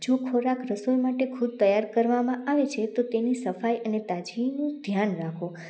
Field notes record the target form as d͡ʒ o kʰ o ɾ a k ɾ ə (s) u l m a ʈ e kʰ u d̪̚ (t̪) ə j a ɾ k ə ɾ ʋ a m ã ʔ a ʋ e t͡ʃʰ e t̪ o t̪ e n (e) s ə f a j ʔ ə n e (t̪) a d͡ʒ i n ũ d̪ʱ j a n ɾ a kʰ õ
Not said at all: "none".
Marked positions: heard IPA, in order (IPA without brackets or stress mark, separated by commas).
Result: s, t̪, i, t̪